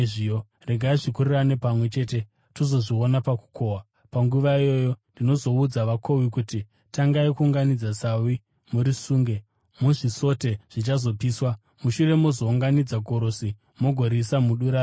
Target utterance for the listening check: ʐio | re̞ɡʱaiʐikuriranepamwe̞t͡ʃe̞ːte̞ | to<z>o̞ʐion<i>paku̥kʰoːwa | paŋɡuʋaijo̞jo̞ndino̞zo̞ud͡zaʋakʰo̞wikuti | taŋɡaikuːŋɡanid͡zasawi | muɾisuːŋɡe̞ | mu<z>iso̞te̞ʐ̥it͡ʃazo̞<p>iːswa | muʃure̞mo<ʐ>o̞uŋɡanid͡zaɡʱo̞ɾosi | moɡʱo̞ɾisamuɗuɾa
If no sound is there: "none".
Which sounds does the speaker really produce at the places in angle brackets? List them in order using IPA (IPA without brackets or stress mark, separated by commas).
z, a, ʐ, p, z